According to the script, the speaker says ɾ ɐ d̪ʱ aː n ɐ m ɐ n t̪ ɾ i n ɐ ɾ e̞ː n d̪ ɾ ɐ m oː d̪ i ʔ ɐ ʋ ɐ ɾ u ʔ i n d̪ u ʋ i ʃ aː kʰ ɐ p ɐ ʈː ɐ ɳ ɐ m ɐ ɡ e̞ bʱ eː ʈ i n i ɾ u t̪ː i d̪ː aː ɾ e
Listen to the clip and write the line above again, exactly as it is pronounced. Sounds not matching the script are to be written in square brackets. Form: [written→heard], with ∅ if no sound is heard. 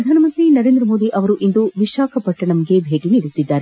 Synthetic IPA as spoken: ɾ ɐ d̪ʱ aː n ɐ m ɐ n t̪ ɾ i n ɐ ɾ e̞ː n d̪ ɾ ɐ m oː d̪ i ʔ ɐ ʋ ɐ ɾ u ʔ i n d̪ u ʋ i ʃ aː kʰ ɐ p ɐ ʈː ɐ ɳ ɐ m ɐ ɡ e̞ bʱ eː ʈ i n i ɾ u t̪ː i d̪ː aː ɾ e

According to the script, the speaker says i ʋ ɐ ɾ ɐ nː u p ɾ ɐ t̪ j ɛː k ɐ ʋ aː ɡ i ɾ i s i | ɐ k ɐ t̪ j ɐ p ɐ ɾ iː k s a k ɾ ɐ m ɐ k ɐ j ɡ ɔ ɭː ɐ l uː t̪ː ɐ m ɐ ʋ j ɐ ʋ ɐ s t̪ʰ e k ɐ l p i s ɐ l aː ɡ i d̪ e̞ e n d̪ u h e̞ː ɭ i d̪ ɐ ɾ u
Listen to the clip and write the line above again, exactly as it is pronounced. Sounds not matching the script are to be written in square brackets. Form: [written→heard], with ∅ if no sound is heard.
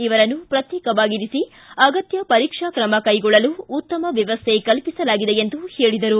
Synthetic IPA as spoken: i ʋ ɐ ɾ ɐ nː u p ɾ ɐ t̪ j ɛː k ɐ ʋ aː ɡ i ɾ i s i | ɐ [k→ɡ] ɐ t̪ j ɐ p ɐ ɾ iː k [s→ʂ] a k ɾ ɐ m ɐ k ɐ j ɡ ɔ ɭː ɐ l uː t̪ː ɐ m ɐ ʋ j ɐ ʋ ɐ s t̪ʰ e k ɐ l p i s ɐ l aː ɡ i d̪ e̞ e n d̪ u h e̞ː ɭ i d̪ ɐ ɾ u

